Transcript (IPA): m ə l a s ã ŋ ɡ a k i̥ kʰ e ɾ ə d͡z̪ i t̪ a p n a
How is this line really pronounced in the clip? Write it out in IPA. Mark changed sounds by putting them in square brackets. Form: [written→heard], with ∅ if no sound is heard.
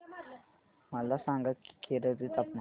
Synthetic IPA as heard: m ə l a s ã ŋ ɡ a k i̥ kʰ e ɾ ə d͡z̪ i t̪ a p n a